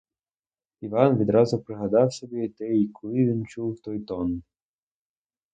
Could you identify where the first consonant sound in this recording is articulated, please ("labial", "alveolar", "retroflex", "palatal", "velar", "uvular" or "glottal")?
labial